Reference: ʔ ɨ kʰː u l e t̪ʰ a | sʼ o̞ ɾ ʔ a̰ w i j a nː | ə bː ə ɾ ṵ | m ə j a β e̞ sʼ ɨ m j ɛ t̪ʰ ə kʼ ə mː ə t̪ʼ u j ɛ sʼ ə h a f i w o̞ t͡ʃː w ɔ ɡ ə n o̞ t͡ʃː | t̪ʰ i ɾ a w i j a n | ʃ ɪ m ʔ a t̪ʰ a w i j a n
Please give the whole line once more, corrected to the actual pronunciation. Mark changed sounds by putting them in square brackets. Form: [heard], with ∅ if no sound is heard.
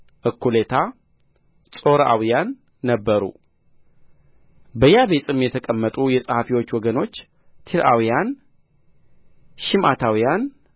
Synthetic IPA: ʔ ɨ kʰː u l e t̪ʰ a | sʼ o̞ ɾ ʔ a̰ w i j a nː | ə bː ə ɾ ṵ | [b] ə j a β e̞ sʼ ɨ m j ɛ t̪ʰ ə kʼ ə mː ə t̪ʼ u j ɛ sʼ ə h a f i w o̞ t͡ʃː w ɔ ɡ ə n o̞ t͡ʃː | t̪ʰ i ɾ a w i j a n | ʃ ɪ m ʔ a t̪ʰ a w i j a n